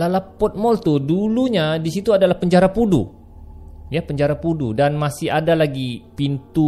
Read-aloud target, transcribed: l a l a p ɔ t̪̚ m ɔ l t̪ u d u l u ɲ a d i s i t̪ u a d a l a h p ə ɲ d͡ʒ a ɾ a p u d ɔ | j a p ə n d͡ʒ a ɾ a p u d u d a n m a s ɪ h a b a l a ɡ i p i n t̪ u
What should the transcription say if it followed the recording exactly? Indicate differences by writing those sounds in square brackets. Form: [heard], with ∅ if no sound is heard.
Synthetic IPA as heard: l a l a p ɔ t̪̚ m ɔ l t̪ u d u l u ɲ a d i s i t̪ u a d a l a h p ə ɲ d͡ʒ a ɾ a p u d [u] | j a p ə [ɲ] d͡ʒ a ɾ a p u d u d a n m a s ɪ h a [d] a l a ɡ i p i n t̪ u